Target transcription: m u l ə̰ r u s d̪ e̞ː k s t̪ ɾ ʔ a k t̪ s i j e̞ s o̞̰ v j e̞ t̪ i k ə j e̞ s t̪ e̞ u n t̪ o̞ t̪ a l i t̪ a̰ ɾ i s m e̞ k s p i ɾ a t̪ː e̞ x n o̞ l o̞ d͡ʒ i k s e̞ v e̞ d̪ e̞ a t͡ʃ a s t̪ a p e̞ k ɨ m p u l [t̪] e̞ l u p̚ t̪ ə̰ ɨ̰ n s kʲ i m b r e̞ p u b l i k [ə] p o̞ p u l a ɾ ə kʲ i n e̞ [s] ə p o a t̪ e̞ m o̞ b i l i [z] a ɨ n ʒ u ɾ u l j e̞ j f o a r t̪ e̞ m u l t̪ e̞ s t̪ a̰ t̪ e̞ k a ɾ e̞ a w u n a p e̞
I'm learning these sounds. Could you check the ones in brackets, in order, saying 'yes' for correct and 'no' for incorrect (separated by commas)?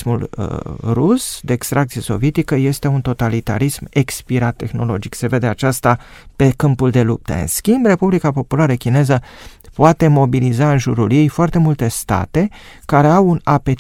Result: no, no, no, yes